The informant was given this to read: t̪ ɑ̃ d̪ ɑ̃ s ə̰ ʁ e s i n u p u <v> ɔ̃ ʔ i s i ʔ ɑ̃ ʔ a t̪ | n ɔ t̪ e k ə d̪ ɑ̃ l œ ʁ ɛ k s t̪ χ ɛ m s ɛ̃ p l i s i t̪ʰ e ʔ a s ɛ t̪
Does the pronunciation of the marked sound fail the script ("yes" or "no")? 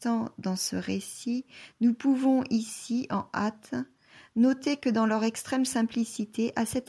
no